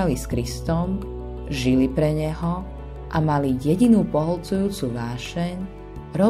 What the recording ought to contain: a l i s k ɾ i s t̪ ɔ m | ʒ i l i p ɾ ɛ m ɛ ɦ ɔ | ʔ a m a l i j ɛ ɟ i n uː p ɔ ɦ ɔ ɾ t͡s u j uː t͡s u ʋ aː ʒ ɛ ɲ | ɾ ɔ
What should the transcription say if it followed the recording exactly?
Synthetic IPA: a l i s k ɾ i s t̪ ɔ m | ʒ i l i p ɾ ɛ ɲ ɛ ɦ ɔ | ʔ a m a l i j ɛ ɟ i n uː p ɔ ɦ ɔ l t͡s u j uː t͡s u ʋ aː ʃ ɛ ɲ | ɾ ɔ